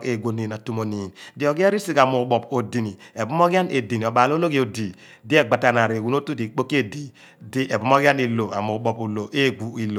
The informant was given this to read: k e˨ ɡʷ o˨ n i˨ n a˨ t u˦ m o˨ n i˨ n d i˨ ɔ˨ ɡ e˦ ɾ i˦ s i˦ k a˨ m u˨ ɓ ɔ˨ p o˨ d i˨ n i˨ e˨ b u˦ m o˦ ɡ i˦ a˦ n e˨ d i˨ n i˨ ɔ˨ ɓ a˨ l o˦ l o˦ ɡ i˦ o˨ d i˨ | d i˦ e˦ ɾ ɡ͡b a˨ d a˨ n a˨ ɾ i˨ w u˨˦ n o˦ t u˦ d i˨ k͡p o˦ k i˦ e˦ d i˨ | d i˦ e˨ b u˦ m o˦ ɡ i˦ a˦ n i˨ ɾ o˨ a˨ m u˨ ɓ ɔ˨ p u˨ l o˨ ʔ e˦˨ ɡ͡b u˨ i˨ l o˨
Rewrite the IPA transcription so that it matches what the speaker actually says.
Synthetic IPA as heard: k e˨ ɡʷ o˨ n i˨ n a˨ t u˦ m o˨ n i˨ n d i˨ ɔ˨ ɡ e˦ ɾ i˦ s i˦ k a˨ m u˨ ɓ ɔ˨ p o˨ d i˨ n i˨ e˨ b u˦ m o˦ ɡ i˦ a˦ n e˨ d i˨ n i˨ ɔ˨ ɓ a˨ l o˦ l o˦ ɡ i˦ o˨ d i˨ | d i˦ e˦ ɡ͡b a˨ t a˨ n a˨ ɾ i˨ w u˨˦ n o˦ t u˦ d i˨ k͡p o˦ k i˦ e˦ d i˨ | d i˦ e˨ b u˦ m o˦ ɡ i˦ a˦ n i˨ l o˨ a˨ m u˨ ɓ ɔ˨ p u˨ l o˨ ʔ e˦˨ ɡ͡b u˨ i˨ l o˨